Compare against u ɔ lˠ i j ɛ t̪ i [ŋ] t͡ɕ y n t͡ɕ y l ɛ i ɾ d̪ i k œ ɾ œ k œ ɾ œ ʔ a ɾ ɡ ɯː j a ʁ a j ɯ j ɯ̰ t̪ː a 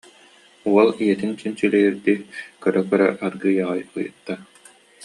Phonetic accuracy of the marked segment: incorrect: n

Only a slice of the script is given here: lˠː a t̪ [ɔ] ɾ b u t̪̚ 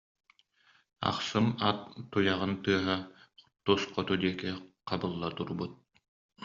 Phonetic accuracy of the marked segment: incorrect: u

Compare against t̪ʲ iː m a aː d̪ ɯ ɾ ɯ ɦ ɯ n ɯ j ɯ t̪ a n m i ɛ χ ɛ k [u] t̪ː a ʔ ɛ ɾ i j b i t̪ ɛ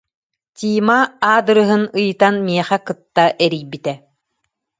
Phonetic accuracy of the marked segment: incorrect: ɯ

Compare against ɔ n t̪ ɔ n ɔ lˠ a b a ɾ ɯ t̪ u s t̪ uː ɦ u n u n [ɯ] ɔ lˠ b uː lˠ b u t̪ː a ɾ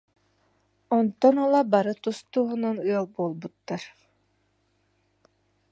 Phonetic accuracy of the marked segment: correct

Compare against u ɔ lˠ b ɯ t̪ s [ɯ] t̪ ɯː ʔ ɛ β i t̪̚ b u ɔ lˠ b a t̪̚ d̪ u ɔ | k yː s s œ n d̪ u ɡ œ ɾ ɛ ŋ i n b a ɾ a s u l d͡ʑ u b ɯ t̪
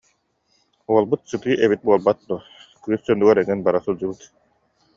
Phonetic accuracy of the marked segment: correct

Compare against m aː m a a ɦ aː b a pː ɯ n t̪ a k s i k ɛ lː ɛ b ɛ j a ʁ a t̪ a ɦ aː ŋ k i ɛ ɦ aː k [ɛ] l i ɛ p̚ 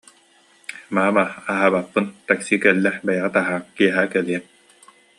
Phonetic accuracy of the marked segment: correct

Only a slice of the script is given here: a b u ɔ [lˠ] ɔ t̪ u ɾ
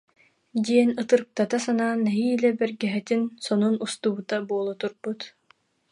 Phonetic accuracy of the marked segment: correct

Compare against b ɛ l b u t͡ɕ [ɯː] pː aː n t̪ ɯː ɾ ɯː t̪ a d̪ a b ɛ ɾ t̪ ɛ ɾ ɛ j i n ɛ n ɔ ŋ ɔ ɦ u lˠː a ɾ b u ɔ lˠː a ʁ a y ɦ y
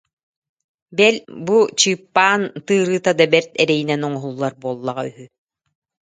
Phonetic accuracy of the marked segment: correct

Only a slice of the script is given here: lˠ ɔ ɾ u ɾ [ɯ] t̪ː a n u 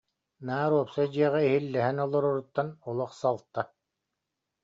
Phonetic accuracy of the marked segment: incorrect: u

